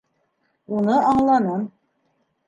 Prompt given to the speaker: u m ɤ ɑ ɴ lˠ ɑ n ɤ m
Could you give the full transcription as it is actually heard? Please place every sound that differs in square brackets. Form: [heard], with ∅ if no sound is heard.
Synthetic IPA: u [n] ɤ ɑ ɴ lˠ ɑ n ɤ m